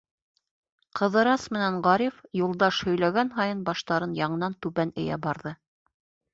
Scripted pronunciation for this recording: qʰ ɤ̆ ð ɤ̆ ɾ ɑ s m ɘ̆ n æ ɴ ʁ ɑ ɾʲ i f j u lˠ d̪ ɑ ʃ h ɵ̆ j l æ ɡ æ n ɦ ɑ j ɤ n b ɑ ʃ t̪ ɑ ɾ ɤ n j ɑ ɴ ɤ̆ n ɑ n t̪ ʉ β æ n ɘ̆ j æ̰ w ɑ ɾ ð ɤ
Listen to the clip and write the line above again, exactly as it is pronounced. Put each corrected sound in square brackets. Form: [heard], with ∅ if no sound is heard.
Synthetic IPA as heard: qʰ ɤ̆ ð ɤ̆ ɾ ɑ s m ɘ̆ n æ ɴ ʁ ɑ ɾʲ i f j u lˠ d̪ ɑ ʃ h ɵ̆ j l æ ɡ æ n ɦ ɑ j ɤ n b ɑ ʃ t̪ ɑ ɾ ɤ n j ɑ ɴ ɤ̆ n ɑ n t̪ ʉ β æ n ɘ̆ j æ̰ [b] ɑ ɾ ð ɤ